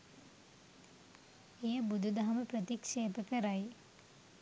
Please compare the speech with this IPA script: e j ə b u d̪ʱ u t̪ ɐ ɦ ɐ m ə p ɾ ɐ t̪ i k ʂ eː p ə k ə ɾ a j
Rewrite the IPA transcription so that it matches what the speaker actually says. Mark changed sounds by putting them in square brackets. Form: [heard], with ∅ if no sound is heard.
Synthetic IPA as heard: e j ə b u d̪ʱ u [d̪] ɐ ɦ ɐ m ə p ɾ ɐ t̪ i k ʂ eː p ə k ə ɾ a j